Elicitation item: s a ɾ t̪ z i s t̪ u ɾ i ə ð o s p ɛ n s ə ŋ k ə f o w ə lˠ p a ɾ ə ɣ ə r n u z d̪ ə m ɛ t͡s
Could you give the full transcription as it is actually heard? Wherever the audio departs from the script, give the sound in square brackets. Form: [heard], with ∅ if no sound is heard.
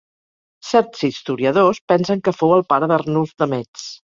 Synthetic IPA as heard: s [ɛ] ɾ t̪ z i s t̪ u ɾ i ə ð o s p ɛ n s ə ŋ k ə f o w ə lˠ p a ɾ ə [ð] ə r n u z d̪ ə m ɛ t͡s